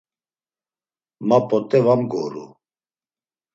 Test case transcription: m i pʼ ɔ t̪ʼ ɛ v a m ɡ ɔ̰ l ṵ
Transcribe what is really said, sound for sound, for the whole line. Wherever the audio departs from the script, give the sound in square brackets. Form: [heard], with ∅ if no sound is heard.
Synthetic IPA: m [a] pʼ ɔ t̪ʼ ɛ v a m ɡ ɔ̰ [ɾ] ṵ